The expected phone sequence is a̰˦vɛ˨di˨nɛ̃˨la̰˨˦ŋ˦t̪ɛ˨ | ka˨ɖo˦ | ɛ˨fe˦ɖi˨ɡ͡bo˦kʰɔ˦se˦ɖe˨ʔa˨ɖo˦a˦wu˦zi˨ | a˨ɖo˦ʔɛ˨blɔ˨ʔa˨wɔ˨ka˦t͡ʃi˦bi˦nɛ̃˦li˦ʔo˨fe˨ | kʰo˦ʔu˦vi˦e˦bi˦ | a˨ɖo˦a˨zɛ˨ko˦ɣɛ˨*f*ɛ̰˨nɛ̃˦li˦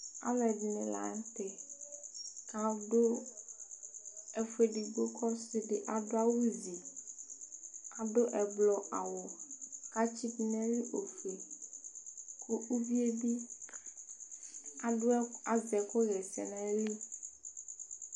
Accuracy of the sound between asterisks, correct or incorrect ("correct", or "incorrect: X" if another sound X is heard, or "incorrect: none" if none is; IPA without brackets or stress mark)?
incorrect: s